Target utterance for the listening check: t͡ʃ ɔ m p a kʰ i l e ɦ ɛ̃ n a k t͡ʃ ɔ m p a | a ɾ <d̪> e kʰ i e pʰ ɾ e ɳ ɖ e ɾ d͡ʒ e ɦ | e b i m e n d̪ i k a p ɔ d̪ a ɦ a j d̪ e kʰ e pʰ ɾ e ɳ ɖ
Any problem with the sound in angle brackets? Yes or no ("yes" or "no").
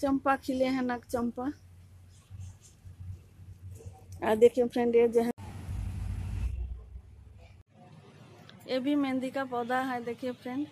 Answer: no